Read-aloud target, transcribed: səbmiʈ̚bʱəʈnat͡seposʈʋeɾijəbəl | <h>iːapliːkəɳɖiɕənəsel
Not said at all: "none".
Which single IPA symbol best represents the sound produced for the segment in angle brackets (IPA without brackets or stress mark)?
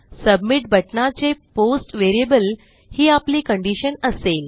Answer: h